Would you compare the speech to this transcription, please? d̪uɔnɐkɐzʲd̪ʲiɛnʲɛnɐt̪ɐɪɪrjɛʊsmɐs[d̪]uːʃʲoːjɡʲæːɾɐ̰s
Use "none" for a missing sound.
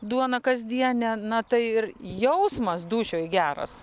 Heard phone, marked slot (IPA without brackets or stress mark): d̪